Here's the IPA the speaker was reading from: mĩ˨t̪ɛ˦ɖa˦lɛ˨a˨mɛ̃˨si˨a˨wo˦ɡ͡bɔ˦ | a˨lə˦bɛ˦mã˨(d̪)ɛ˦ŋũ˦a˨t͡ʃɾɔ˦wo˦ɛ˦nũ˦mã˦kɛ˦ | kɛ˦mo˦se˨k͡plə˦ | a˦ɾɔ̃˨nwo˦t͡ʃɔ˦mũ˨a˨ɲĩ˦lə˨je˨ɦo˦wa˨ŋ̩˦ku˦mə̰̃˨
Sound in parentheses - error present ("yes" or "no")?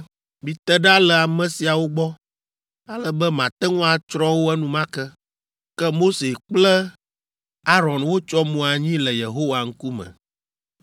yes